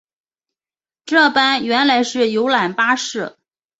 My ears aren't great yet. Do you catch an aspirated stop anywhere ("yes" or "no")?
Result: no